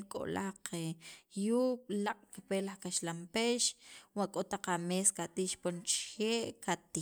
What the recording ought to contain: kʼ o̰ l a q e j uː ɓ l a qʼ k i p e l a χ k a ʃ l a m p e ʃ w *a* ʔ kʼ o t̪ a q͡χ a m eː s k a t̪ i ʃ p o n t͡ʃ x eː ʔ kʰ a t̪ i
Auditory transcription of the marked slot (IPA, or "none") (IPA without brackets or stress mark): a